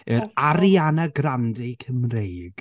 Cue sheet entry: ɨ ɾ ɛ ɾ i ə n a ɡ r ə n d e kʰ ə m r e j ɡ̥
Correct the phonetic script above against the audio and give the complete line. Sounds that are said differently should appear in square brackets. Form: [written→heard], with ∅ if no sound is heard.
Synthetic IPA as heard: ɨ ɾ [ɛ→a] ɾ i [ə→a] n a ɡ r [ə→a] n d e kʰ ə m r e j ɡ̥